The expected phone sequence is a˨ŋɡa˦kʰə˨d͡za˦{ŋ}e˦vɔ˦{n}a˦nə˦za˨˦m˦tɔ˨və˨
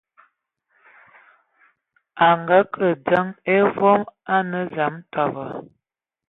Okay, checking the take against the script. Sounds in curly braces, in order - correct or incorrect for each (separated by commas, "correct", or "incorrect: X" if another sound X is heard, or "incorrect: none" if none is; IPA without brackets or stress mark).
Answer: correct, incorrect: m